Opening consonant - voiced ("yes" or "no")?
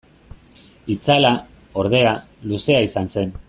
no